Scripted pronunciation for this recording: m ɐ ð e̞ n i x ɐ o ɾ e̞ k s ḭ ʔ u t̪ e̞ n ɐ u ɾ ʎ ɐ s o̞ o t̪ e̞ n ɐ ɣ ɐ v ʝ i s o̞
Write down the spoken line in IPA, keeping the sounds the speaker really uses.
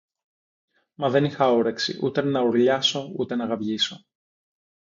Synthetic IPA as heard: m ɐ ð e̞ n i x ɐ o ɾ e̞ k s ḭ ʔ u t̪ e̞ n ɐ u ɾ ʎ ɐ s o̞ u t̪ e̞ n ɐ ɣ ɐ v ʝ i s o̞